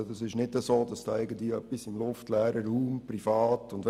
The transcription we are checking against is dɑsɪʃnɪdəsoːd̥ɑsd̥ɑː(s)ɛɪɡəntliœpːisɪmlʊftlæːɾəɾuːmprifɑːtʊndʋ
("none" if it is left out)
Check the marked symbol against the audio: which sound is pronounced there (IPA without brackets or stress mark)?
none